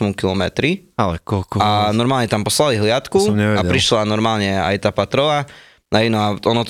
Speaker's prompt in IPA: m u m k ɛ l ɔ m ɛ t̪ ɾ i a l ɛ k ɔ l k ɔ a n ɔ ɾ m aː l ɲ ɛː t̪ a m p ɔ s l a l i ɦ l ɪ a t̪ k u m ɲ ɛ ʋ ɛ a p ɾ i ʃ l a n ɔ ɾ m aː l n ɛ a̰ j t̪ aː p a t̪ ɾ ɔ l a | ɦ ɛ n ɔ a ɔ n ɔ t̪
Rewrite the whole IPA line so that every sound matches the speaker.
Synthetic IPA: m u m k i l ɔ m ɛ t̪ ɾ i a l ɛ k ɔ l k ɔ a n ɔ ɾ m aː l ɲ ɛ t̪ a m p ɔ s l a l i ɦ l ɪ a t̪ k u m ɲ ɛ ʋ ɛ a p ɾ i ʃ l a n ɔ ɾ m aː l ɲ ɛ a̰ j t̪ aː p a t̪ ɾ ɔ l a | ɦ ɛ n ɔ a ɔ n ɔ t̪